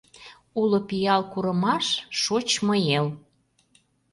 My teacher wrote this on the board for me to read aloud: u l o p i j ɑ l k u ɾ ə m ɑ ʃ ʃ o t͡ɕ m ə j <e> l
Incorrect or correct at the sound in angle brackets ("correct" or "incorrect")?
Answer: correct